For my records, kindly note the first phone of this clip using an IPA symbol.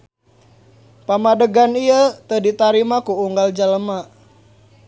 p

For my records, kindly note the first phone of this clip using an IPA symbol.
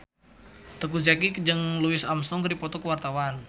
t̪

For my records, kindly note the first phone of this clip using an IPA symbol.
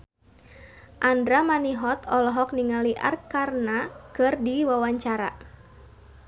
ʔ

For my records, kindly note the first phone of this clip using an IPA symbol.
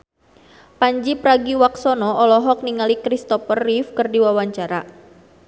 p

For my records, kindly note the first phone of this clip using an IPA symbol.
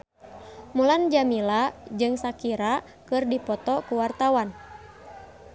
m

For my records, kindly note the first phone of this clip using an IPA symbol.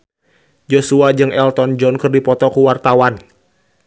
d͡ʒ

